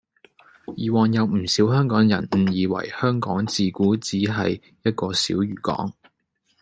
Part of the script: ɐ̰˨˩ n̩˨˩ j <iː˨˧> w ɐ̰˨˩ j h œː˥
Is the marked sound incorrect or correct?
correct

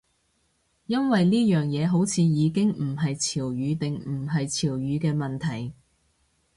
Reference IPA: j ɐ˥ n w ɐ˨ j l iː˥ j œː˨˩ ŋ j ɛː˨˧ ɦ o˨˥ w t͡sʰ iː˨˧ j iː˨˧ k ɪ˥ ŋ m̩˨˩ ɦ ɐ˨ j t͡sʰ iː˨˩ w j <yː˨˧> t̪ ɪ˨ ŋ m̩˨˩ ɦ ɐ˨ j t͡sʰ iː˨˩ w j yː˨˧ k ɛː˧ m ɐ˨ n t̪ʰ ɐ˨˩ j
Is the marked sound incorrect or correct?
correct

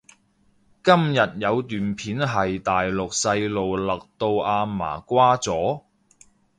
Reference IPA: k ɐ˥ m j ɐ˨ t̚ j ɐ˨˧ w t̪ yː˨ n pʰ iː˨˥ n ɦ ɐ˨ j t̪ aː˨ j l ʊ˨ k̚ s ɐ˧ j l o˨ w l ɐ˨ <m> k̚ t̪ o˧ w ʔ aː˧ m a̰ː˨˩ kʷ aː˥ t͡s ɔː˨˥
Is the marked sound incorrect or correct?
incorrect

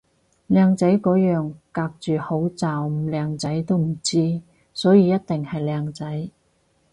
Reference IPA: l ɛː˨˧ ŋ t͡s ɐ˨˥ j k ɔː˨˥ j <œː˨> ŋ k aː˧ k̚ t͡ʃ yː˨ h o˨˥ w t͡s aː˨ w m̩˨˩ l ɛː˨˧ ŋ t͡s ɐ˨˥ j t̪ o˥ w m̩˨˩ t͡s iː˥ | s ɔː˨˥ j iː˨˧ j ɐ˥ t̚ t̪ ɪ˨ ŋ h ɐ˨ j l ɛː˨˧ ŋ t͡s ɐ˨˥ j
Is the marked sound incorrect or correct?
correct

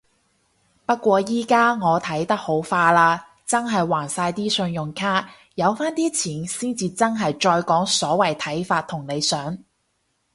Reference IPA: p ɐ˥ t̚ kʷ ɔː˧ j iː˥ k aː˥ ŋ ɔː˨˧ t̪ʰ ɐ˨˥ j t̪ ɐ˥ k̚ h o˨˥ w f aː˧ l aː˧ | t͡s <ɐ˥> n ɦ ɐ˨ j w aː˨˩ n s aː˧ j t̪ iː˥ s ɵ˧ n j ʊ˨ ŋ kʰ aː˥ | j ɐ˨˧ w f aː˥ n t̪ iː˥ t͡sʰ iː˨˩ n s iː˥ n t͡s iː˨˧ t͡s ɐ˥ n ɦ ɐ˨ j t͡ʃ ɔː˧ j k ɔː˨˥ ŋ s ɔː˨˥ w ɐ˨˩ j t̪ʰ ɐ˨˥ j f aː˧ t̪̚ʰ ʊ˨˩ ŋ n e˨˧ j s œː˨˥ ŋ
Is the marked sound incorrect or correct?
correct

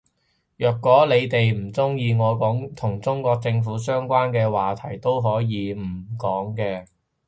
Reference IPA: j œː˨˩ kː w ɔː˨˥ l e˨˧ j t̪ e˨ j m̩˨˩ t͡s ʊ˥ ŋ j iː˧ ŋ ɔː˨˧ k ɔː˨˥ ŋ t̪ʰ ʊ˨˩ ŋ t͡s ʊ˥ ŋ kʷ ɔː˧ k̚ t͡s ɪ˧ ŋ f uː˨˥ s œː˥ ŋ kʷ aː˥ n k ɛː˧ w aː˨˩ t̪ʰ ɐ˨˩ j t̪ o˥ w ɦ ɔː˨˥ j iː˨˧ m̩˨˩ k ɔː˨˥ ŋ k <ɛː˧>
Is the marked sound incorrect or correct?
correct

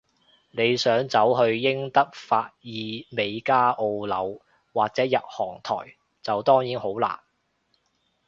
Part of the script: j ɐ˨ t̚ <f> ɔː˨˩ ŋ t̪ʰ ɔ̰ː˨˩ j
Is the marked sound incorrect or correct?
incorrect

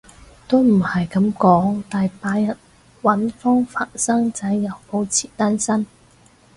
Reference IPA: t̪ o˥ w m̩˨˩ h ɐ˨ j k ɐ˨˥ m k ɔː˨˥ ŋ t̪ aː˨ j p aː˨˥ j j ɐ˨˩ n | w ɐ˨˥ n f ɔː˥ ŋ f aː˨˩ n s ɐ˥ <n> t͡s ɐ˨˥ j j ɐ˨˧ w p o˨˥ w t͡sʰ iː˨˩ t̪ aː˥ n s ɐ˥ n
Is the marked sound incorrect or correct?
incorrect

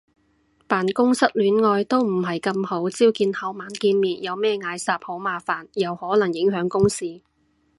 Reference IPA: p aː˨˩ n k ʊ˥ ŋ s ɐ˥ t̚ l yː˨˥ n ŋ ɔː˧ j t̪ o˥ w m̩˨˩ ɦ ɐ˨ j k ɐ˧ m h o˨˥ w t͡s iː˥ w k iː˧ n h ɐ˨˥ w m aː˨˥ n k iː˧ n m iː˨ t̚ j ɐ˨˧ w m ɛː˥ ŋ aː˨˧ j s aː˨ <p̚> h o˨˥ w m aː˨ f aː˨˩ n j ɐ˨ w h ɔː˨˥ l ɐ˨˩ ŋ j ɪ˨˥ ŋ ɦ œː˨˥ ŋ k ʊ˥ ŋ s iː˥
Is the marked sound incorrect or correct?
correct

